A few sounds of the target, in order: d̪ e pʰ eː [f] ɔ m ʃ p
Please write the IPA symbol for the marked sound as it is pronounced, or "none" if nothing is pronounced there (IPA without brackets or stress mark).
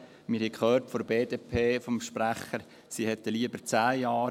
f